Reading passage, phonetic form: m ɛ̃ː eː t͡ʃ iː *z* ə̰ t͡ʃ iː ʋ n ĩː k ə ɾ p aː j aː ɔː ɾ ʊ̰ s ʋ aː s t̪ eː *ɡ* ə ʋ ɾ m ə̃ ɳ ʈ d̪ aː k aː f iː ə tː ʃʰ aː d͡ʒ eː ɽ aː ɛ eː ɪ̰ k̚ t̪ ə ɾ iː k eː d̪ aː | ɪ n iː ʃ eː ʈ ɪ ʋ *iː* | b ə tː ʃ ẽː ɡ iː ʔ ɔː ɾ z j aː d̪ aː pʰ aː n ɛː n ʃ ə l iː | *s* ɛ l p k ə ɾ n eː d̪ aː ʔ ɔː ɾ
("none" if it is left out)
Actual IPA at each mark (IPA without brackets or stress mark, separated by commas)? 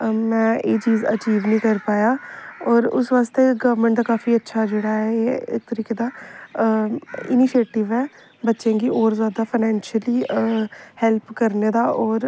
z, ɡ, ɛː, h